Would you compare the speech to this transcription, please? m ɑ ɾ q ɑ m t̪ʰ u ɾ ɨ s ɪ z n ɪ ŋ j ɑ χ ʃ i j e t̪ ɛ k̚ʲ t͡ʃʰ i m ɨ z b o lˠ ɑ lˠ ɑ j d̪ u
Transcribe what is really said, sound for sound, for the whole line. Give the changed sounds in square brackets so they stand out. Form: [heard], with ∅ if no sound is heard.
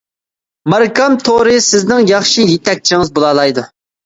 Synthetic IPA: m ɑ ɾ [k] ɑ m t̪ʰ [o] ɾ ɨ s ɪ z n ɪ ŋ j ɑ χ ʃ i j e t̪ ɛ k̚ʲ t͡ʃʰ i [ŋ] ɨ z b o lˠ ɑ lˠ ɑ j d̪ u